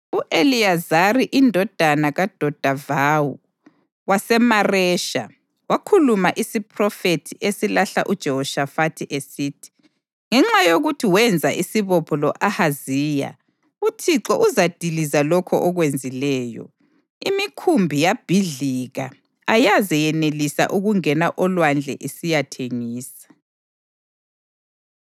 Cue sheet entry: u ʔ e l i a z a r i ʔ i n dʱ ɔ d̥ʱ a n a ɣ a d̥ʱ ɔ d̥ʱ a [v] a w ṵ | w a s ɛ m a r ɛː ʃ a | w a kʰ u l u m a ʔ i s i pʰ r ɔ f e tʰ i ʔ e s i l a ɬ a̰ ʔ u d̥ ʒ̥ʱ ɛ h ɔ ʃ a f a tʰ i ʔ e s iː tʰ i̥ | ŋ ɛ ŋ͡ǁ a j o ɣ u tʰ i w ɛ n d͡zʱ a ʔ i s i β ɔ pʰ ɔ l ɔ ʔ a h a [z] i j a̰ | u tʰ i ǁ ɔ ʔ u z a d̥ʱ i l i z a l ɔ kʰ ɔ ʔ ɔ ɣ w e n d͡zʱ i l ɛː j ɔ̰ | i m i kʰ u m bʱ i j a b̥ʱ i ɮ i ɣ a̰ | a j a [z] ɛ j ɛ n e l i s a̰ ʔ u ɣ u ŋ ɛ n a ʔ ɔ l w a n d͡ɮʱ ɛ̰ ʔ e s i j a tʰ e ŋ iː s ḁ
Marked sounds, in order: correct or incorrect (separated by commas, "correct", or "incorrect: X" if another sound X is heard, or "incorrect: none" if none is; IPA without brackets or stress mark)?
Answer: correct, correct, correct